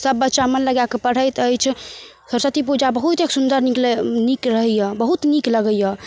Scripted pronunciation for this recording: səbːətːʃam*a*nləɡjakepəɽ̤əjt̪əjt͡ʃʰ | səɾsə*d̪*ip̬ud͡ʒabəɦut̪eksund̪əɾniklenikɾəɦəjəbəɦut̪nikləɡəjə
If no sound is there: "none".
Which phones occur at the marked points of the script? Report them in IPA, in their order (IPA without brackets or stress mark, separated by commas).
ə, t̪